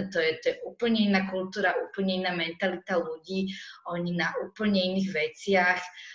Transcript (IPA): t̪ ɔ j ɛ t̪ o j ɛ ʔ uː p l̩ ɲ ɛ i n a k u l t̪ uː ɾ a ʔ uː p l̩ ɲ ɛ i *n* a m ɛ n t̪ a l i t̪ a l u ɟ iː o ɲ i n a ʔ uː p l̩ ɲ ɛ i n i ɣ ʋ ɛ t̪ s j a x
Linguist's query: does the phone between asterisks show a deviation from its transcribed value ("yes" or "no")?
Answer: no